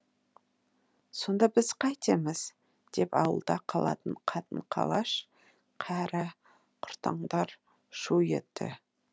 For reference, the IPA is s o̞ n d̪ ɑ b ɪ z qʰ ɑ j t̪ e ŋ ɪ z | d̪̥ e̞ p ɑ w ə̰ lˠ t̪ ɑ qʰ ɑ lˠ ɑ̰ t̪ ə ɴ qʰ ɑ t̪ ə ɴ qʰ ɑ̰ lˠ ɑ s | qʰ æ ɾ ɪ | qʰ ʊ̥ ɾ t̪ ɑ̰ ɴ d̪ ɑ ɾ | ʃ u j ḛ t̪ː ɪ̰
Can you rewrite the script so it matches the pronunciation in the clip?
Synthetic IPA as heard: s o̞ n d̪ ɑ b ɪ z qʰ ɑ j t̪ e m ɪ z | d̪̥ e̞ p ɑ w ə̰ lˠ d̪ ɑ qʰ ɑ lˠ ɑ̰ t̪ ə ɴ qʰ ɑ t̪ ə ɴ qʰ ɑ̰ lˠ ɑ ʃ | qʰ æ ɾ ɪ | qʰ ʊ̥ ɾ t̪ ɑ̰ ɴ d̪ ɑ ɾ | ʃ u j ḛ t̪ː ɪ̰